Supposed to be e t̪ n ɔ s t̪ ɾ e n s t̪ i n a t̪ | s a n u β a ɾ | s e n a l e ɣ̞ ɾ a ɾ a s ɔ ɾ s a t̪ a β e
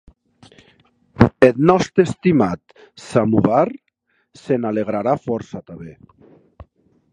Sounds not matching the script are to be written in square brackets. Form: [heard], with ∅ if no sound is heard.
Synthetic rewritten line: e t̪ n ɔ s t̪ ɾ e [∅] s t̪ i [m] a t̪ | s a [m] u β a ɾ | s e n a l e ɣ̞ ɾ a ɾ a [f] ɔ ɾ s a t̪ a β e